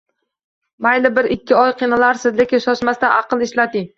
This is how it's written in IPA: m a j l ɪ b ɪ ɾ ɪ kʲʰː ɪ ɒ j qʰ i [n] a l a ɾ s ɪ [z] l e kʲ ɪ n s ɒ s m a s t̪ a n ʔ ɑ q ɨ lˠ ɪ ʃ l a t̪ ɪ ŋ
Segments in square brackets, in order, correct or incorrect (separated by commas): correct, correct